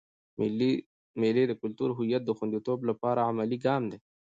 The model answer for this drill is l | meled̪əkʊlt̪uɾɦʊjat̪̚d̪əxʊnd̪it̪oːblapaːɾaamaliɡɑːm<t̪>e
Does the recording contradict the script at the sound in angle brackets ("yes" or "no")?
yes